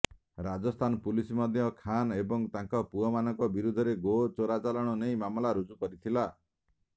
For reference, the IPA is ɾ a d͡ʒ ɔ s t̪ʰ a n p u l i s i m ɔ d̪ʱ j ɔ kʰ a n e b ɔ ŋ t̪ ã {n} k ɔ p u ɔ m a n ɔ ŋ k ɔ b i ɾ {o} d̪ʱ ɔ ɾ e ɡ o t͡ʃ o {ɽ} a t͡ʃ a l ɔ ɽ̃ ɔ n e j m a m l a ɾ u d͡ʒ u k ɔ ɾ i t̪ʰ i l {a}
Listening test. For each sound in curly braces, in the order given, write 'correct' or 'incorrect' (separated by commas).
incorrect, incorrect, incorrect, correct